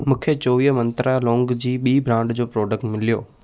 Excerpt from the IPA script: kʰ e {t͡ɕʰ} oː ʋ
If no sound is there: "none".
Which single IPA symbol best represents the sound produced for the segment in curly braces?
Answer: t͡ɕ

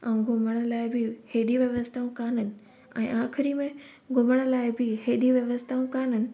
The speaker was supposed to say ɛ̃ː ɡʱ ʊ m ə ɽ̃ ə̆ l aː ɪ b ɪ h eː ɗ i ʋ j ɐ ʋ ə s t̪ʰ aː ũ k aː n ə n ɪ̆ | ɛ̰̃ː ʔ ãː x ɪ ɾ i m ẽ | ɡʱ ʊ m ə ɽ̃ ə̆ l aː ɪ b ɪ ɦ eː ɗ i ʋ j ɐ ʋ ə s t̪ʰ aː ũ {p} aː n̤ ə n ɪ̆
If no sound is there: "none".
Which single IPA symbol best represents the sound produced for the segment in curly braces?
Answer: k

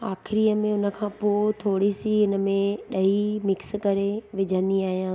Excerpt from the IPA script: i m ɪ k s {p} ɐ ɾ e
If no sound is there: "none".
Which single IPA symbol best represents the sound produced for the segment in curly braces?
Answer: k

